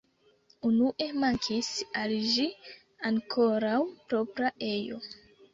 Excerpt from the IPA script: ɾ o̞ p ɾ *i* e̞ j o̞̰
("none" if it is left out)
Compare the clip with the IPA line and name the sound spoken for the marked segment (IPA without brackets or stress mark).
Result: a